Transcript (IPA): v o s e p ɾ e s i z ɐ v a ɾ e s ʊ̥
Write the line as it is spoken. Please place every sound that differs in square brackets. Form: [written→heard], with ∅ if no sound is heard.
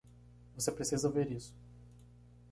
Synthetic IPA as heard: v o s e p ɾ e s i z ɐ v [a→e] ɾ [e→i] s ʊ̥